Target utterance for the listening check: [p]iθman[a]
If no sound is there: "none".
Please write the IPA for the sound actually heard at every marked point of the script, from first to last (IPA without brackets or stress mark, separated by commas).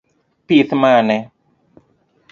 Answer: p, ɛ